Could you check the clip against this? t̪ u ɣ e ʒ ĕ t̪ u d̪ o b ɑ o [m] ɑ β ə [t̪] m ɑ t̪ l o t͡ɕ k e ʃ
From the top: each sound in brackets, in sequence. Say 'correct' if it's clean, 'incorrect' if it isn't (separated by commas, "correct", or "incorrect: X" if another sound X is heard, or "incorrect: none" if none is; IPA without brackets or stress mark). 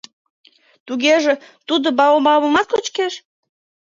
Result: correct, incorrect: none